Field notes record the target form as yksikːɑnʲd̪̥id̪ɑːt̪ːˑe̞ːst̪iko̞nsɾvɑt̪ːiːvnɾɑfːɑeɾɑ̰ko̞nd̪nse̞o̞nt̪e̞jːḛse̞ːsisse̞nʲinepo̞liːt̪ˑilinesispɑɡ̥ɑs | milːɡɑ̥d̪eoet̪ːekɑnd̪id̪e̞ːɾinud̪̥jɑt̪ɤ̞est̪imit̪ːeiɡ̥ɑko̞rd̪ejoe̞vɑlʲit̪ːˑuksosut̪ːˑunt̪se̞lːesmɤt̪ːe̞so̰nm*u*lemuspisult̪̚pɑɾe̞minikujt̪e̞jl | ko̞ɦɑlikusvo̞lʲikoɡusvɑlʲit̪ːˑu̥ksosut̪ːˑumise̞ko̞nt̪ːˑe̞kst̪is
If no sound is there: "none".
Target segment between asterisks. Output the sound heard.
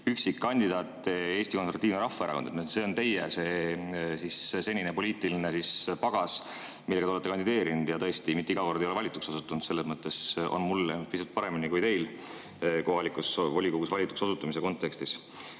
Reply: u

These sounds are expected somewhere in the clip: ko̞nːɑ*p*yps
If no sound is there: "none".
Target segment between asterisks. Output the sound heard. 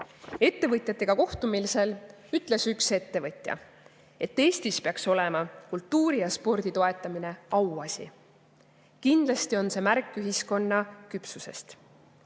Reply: k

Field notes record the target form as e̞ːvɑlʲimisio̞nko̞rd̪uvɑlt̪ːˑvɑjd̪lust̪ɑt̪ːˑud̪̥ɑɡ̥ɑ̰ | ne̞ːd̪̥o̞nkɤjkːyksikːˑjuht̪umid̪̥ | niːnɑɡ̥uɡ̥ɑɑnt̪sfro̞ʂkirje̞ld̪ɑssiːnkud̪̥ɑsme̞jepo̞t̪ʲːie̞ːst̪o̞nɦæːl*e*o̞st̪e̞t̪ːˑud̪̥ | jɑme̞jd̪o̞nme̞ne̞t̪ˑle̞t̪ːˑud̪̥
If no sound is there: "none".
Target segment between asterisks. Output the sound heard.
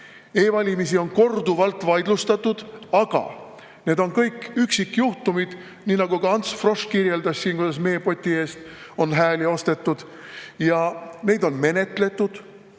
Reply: i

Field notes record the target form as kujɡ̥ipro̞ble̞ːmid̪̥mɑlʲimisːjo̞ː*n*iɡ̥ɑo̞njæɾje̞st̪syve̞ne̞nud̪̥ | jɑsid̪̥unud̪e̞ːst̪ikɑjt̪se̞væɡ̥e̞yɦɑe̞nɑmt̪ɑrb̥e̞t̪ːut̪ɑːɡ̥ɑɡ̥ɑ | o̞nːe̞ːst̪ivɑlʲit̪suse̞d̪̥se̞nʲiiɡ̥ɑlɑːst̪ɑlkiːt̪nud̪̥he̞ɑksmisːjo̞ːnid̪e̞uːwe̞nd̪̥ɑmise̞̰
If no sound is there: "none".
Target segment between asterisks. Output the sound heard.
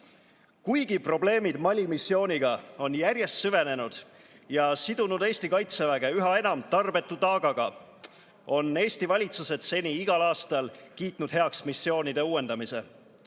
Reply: n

